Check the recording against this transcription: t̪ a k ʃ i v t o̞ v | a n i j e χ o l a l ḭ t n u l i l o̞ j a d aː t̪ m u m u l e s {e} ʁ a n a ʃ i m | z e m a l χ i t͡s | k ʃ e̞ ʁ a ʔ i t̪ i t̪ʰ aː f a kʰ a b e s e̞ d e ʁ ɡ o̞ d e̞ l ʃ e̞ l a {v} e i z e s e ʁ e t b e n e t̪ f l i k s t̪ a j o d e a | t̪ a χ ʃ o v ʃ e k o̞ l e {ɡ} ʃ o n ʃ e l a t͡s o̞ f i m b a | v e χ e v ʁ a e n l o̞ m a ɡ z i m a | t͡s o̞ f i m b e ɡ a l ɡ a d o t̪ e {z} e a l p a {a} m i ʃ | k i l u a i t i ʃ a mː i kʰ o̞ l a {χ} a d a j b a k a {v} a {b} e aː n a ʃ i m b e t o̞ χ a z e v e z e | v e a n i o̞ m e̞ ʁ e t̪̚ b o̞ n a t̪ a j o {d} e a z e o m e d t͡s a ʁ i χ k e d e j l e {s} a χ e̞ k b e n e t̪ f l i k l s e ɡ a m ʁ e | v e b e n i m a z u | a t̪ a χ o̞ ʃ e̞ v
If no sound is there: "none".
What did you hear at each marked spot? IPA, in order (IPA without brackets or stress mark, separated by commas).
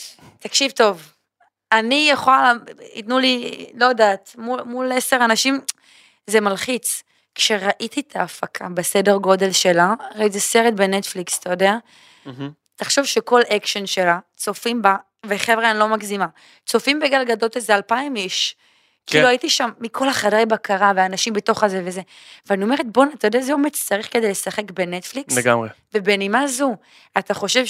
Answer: e, ʁ, k, z, i, χ, ʁ, v, d, s